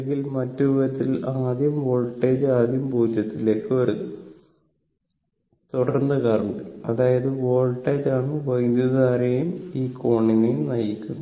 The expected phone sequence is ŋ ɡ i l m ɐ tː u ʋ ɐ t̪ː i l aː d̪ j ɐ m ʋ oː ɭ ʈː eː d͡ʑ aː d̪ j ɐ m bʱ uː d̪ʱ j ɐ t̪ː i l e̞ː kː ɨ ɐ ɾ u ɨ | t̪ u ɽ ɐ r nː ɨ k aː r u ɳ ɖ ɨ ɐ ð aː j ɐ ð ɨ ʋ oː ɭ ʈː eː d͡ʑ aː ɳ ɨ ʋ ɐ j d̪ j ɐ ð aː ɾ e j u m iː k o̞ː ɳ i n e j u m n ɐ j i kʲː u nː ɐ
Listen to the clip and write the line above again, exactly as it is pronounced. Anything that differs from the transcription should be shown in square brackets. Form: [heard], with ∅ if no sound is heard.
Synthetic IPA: ŋ ɡ i l m ɐ tː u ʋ ɐ t̪ː i l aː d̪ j ɐ m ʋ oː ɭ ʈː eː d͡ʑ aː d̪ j ɐ m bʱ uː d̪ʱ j ɐ t̪ː i l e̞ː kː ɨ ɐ ɾ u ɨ | t̪ u ɽ ɐ r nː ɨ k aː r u ɳ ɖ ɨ ɐ ð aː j ɐ ð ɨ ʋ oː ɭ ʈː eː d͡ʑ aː ɳ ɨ ʋ ɐ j d̪ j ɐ ð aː ɾ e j u m iː k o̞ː ɳ i n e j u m n ɐ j i kʲː u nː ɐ